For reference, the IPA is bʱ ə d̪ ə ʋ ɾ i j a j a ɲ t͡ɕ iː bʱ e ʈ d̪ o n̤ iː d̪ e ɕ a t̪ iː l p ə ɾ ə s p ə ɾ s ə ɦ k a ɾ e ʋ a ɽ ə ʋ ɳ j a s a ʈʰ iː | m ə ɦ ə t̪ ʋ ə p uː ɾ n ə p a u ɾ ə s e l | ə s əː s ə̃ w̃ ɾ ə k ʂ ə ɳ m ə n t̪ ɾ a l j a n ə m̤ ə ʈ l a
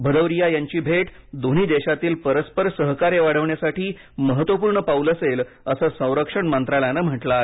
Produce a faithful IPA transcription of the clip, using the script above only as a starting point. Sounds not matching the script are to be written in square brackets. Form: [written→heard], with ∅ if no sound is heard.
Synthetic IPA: bʱ ə d̪ ə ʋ ɾ i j a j a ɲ t͡ɕ iː bʱ e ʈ d̪ o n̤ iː d̪ e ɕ a t̪ iː l p ə ɾ ə s p ə ɾ s ə ɦ k a ɾ e ʋ a ɽ ə ʋ ɳ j a s a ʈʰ iː | m ə ɦ ə t̪ ʋ ə p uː ɾ [n→ɳ] ə p a u [ɾ→l] ə s e l | ə s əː s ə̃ w̃ ɾ ə k ʂ ə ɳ m ə n t̪ ɾ a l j a n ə m̤ ə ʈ l a

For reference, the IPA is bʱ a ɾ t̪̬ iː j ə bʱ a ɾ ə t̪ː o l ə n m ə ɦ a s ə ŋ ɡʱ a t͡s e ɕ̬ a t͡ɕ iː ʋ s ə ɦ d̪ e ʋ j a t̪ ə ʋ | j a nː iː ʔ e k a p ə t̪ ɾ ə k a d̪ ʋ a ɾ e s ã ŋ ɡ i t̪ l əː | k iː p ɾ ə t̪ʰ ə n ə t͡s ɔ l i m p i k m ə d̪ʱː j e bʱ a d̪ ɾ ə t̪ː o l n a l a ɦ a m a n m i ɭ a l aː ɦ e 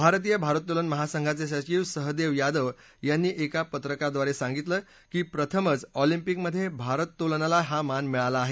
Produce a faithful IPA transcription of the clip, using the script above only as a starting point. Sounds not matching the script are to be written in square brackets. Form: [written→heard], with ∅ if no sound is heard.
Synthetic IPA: bʱ a ɾ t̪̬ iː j ə bʱ a ɾ ə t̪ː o l ə n m ə ɦ a s ə ŋ ɡʱ a t͡s e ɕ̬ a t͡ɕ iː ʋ s ə ɦ d̪ e ʋ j a [t̪→d̪] ə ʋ | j a nː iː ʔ e k a p ə t̪ ɾ ə k a d̪ ʋ a ɾ e s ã ŋ ɡ i t̪ l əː | k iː p ɾ ə t̪ʰ ə [n→m] ə t͡s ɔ l i m p i k m ə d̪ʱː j e bʱ a [d̪→∅] ɾ ə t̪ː o l n a l a ɦ a m a n m i ɭ a l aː ɦ e

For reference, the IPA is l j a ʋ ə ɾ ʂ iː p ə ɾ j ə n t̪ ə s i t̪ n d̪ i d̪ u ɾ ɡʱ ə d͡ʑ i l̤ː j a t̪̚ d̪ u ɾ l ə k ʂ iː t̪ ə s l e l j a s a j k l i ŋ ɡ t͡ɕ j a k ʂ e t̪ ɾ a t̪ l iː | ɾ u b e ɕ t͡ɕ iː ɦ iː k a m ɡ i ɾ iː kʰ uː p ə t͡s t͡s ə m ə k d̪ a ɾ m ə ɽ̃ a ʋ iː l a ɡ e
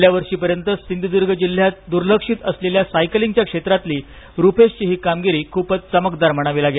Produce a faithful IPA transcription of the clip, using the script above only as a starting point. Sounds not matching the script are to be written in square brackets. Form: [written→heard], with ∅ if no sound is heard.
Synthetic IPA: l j a ʋ ə ɾ ʂ iː p ə ɾ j ə n t̪ ə s i [t̪→∅] n d̪ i d̪ u ɾ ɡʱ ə d͡ʑ i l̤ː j a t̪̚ d̪ u ɾ l ə k ʂ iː t̪ ə s l e l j a s a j k l i ŋ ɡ t͡ɕ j a k ʂ e t̪ ɾ a t̪ l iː | ɾ u [b→p] e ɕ t͡ɕ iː ɦ iː k a m ɡ i ɾ iː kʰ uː p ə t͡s t͡s ə m ə k d̪ a ɾ m ə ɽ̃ a ʋ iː l a ɡ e

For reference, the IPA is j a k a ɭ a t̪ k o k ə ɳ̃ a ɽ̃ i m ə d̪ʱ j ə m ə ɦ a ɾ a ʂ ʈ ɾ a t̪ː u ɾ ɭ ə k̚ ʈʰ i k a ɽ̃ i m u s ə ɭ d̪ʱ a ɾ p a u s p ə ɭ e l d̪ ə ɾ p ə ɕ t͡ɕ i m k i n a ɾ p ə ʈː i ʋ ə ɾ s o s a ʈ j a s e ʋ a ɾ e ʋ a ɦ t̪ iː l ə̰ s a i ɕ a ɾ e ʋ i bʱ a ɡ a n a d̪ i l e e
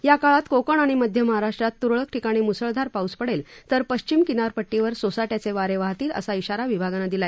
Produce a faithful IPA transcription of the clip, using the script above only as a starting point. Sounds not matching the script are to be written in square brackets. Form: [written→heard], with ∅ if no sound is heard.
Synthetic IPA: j a k a ɭ a t̪ k o k ə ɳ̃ a ɽ̃ i m ə d̪ʱ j ə m ə ɦ a ɾ a ʂ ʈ ɾ a t̪ː u ɾ ɭ ə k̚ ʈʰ i k a ɽ̃ i m u s ə ɭ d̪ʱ a ɾ p a u s p ə [ɭ→ɽ] e l [d̪→t̪] ə ɾ p ə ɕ t͡ɕ i m k i n a ɾ p ə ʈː i ʋ ə ɾ s o s a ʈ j a [s→t͡s] e ʋ a ɾ e ʋ a ɦ t̪ iː l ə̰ s a i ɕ a ɾ [e→a] ʋ i bʱ a ɡ a n a d̪ i l [e→a] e

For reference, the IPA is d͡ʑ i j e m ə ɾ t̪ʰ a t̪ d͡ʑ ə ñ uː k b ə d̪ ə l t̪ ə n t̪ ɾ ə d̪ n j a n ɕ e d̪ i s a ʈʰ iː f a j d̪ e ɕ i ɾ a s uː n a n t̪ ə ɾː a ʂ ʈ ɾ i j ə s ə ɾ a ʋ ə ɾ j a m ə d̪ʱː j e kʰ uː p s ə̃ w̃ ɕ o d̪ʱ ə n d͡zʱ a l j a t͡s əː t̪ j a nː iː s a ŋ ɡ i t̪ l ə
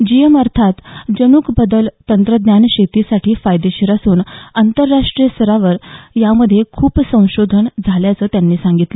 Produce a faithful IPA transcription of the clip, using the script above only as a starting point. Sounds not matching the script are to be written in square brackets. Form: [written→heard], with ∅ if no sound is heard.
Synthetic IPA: d͡ʑ i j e m ə ɾ t̪ʰ a t̪ d͡ʑ ə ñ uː k b ə d̪ ə l t̪ ə n t̪ ɾ ə d̪ n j a n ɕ e [d̪→t̪] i s a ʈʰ iː f a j d̪ e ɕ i ɾ a s uː n a n t̪ ə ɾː a ʂ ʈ ɾ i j ə s ə ɾ a ʋ ə ɾ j a m ə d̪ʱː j e kʰ uː p s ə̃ w̃ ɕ o d̪ʱ ə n d͡zʱ a l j a t͡s əː t̪ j a nː iː s a ŋ ɡ i t̪ l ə

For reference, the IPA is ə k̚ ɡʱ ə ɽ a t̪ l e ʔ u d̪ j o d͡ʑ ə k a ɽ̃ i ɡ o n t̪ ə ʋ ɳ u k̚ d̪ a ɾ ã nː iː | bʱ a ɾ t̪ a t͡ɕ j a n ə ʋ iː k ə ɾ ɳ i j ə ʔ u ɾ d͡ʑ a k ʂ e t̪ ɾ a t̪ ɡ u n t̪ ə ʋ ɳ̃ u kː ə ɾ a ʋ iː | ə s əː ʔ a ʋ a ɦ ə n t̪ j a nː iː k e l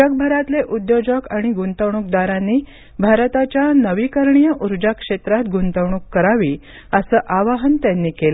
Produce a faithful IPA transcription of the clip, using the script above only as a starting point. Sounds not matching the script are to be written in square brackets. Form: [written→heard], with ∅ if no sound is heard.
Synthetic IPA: ə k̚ [ɡʱ→bʱ] ə [ɽ→ɾ] a t̪ l e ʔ u d̪ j o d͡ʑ ə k a ɽ̃ i ɡ [o→u] n t̪ ə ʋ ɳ u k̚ d̪ a ɾ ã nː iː | bʱ a ɾ t̪ a t͡ɕ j a n ə ʋ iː k ə ɾ ɳ i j ə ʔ u ɾ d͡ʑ a k ʂ e t̪ ɾ a t̪ ɡ u n t̪ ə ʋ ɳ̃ u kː ə ɾ a ʋ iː | ə s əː ʔ a ʋ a ɦ ə n t̪ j a nː iː k e l

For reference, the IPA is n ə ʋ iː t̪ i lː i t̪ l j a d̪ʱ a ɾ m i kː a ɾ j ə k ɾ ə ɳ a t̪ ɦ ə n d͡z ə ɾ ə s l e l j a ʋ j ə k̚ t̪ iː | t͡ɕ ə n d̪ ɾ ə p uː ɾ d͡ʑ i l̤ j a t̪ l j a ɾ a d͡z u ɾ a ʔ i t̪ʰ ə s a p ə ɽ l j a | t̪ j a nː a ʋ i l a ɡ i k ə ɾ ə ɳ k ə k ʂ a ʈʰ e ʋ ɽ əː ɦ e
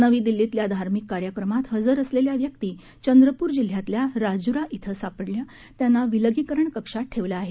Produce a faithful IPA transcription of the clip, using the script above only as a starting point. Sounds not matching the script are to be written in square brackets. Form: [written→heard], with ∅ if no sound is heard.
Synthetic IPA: n ə ʋ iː [t̪→d̪] i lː i t̪ l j a d̪ʱ a ɾ m i kː a ɾ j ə k ɾ ə [ɳ→m] a t̪ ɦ ə [n→∅] d͡z ə ɾ ə s l e l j a ʋ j ə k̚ t̪ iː | t͡ɕ ə n d̪ ɾ ə p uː ɾ d͡ʑ i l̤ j a t̪ l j a ɾ a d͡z u ɾ a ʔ i t̪ʰ ə s a p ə ɽ l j a | t̪ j a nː a ʋ i l [a→ə] ɡ i k ə ɾ ə ɳ k ə k ʂ a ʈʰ e ʋ [ɽ→l] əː ɦ e

